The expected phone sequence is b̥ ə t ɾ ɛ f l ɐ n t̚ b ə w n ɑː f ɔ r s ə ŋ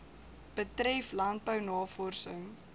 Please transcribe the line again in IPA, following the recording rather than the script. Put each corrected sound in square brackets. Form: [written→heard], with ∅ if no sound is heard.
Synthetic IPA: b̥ ə t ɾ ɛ f l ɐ n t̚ b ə w n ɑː f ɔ r s ə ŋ